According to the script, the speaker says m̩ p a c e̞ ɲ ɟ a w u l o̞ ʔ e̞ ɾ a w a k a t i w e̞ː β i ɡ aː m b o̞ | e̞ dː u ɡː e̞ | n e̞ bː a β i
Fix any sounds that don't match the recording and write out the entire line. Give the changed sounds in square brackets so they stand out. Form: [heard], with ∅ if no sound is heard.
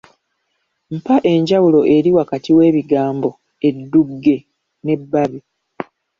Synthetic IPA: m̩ p a [ʔ] e̞ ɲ ɟ a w u l o̞ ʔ e̞ ɾ [i] w a k a t i w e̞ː β i ɡ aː m b o̞ | e̞ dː u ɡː e̞ | n e̞ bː a β i